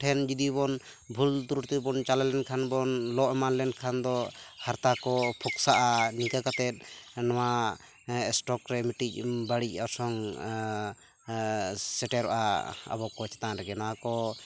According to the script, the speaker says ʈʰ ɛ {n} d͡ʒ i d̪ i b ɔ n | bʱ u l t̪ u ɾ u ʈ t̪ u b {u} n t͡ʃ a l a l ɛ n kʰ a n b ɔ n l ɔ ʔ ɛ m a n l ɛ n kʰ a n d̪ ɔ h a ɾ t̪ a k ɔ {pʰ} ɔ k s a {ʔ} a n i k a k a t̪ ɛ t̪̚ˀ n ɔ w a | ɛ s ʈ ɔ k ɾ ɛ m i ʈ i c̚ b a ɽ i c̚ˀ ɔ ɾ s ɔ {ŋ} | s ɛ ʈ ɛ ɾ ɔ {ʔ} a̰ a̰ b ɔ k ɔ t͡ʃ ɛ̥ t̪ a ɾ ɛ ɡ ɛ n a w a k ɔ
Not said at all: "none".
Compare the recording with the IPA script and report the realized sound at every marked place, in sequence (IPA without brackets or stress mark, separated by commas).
n, ɔ, pʰ, ʔ, ŋ, ʔ